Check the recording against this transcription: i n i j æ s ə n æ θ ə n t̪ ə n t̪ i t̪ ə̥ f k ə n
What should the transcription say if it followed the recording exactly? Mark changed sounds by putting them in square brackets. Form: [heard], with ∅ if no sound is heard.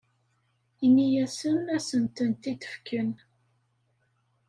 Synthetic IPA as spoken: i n i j æ s ə n æ [s] ə n t̪ ə n t̪ i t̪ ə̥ f k ə n